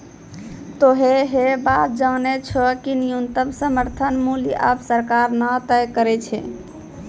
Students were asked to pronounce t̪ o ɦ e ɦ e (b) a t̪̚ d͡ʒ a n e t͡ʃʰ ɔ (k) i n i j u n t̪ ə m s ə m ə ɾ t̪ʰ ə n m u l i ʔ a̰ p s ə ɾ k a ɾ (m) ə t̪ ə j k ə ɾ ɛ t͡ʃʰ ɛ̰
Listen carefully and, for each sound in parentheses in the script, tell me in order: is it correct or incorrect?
correct, correct, incorrect: n

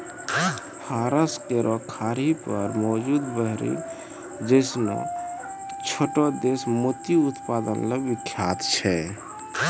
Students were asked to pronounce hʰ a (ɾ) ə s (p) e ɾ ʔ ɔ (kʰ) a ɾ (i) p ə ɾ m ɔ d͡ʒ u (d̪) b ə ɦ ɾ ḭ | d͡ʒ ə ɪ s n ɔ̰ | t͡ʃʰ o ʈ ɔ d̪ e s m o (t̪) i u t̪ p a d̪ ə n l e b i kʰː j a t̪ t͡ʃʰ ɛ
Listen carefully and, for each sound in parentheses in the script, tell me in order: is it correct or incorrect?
correct, incorrect: k, correct, correct, correct, correct

